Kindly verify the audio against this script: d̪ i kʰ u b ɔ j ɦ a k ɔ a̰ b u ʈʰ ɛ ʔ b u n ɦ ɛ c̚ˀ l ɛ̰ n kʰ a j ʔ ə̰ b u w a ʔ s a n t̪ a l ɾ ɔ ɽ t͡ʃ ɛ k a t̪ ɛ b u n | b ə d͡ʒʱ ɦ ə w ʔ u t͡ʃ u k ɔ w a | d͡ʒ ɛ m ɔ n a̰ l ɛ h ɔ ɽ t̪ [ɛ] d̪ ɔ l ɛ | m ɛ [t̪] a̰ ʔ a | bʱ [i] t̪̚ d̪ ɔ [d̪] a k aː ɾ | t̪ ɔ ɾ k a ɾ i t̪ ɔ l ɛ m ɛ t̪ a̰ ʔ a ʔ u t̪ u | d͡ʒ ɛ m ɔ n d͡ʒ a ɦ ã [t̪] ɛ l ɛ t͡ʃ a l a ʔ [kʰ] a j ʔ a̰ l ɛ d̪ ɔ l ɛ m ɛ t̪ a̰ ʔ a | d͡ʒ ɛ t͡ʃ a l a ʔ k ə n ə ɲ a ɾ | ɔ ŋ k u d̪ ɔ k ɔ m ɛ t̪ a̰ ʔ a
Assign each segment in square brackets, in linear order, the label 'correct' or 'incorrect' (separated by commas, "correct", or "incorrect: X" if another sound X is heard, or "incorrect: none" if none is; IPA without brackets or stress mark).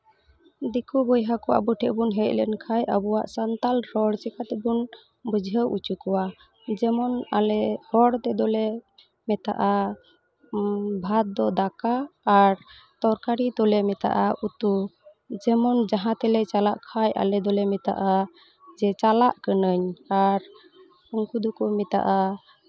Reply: correct, correct, incorrect: a, correct, correct, correct